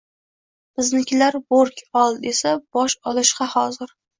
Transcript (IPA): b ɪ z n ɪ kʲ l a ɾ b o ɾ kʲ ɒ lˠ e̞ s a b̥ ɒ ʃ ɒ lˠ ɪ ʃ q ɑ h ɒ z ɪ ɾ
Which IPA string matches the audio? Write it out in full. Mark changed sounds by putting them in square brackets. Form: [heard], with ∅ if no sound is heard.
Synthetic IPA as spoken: b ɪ z n ɪ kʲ l a ɾ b o ɾ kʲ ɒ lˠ e̞ s a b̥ ɒ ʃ ɒ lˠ ɪ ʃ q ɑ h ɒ z ɪ ɾ